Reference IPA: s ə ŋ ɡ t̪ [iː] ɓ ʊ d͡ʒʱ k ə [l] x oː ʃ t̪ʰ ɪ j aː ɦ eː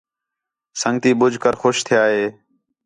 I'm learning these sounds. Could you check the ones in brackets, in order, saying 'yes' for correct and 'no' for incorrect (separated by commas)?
yes, no